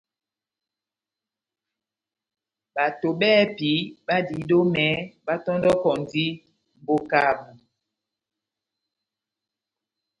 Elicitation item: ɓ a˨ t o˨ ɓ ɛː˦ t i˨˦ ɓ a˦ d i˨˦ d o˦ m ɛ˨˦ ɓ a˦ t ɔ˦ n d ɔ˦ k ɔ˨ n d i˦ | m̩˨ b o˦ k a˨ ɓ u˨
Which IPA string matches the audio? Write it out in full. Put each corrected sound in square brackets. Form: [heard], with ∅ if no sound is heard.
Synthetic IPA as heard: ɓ a˨ t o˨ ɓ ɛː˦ [p] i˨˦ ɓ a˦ d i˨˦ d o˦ m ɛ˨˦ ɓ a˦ t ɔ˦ n d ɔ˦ k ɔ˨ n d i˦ | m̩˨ b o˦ k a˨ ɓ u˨